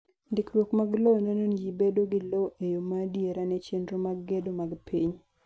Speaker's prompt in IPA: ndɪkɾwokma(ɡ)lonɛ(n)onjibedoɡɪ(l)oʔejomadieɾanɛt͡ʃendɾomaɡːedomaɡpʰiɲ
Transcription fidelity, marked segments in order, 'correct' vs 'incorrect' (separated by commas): correct, correct, correct